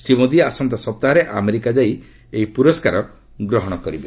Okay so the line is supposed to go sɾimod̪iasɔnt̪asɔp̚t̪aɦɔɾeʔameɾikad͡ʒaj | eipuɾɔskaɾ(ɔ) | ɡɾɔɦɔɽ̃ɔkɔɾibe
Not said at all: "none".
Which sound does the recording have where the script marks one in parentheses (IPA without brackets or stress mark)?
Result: ɔ